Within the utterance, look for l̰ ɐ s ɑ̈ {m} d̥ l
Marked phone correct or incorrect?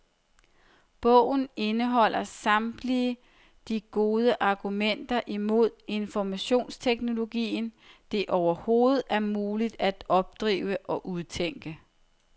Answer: correct